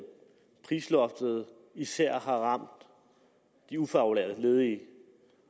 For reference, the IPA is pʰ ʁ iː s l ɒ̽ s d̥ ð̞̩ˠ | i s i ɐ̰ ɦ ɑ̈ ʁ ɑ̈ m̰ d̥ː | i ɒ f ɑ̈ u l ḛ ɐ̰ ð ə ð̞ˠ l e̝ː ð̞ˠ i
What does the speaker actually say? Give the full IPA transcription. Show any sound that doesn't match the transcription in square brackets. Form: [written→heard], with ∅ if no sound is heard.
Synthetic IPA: pʰ ʁ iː s l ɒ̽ [s→f] d̥ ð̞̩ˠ | i s [i→æ] ɐ̰ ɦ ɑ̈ ʁ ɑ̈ m̰ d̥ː | i [ɒ→u] f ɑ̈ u l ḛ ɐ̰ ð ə [ð̞ˠ→∅] l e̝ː ð̞ˠ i